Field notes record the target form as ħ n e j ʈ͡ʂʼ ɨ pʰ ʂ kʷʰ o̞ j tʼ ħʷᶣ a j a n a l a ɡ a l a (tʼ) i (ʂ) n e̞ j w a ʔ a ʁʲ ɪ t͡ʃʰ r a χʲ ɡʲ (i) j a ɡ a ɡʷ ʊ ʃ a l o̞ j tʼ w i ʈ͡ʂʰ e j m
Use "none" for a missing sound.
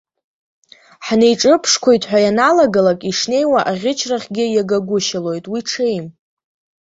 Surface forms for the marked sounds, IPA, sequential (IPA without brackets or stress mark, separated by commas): kʼ, ʂ, ɪ